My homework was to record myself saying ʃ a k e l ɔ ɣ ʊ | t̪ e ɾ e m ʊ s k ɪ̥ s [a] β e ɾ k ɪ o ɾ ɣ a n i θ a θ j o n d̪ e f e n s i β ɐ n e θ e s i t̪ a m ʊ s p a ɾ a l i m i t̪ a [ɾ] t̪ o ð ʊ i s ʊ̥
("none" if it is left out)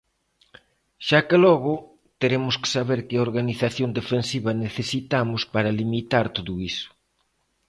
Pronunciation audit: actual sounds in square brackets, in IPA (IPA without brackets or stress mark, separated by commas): a, ɾ